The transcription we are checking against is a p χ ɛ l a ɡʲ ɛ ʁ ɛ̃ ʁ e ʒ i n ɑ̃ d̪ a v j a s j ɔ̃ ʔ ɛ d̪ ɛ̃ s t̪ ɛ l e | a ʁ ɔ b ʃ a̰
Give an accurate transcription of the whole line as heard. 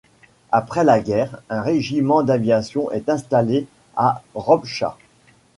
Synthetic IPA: a p χ ɛ l a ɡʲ ɛ ʁ ɛ̃ ʁ e ʒ i m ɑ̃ d̪ a v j a s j ɔ̃ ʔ ɛ t̪ ɛ̃ s t̪ a l e | a ʁ ɔ b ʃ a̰

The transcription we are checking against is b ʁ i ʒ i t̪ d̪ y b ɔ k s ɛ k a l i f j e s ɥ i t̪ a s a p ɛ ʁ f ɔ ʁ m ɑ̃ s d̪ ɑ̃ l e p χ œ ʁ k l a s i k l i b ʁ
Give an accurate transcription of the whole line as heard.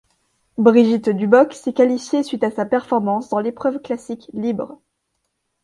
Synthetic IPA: b ʁ i ʒ i t̪ d̪ y b ɔ k s ɛ k a l i f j e s ɥ i t̪ a s a p ɛ ʁ f ɔ ʁ m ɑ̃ s d̪ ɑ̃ l e p χ œ v k l a s i k l i b ʁ

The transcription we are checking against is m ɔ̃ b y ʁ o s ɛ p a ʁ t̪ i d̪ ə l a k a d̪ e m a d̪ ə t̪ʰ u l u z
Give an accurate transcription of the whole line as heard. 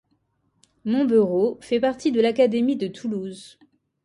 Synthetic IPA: m ɔ̃ b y ʁ o f ɛ p a ʁ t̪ i d̪ ə l a k a d̪ e m i d̪ ə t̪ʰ u l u z

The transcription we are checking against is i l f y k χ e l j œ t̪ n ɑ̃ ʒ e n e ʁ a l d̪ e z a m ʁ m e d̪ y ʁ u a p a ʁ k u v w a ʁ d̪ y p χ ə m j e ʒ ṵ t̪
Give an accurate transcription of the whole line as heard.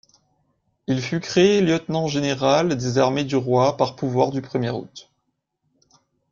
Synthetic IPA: i l f y k χ e l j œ t̪ n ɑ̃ ʒ e n e ʁ a l d̪ e z a ʁ m e d̪ y ʁ w a p a ʁ p u v w a ʁ d̪ y p χ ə m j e ʁ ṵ t̪

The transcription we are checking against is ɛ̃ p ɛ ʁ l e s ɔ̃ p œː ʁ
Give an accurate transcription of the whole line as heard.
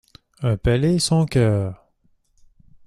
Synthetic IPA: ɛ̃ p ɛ l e s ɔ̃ k œː ʁ

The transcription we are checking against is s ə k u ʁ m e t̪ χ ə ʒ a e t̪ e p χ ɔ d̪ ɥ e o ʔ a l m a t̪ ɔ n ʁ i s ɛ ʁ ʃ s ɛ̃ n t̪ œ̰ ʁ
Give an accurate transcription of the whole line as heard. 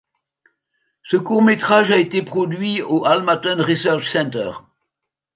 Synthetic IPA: s ə k u ʁ m e t̪ χ a ʒ a e t̪ e p χ ɔ d̪ ɥ i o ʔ a l m a t̪ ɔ n ʁ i s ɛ ʁ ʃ s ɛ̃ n t̪ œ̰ ʁ

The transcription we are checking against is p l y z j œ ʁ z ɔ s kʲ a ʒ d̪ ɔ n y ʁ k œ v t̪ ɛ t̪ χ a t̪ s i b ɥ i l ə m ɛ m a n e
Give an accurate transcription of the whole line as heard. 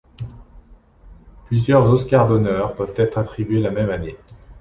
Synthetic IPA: p l y z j œ ʁ z ɔ s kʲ a ʁ d̪ ɔ n œ ʁ p œ v t̪ ɛ t̪ χ a t̪ χ i b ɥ e l a m ɛ m a n e

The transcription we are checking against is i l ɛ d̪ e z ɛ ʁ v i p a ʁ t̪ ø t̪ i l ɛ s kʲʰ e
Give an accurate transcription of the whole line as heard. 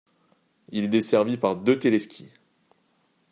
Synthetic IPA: i l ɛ d̪ e s ɛ ʁ v i p a ʁ d̪ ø t̪ e l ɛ s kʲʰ i

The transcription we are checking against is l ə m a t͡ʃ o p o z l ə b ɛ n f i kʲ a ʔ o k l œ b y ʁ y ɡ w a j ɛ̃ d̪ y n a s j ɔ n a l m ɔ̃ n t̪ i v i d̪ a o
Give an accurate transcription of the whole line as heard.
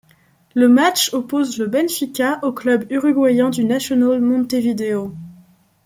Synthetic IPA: l ə m a t͡ʃ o p o z l ə b ɛ n f i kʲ a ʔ o k l œ b y ʁ y ɡ w a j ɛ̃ d̪ y n a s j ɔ n a l m ɔ̃ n t̪ e v i d̪ e o

